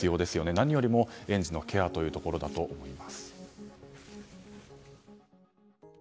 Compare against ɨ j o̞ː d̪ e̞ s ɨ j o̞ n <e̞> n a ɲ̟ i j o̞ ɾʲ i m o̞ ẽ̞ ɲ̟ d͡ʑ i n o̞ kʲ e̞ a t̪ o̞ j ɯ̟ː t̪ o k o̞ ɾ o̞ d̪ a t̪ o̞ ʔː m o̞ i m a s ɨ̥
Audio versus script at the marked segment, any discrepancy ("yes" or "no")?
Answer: no